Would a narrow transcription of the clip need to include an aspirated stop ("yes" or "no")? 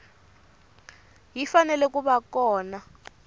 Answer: no